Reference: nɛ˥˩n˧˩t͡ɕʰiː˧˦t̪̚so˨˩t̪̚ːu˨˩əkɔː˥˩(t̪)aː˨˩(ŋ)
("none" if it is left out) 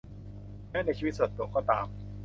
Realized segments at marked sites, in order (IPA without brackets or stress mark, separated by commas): t̪, m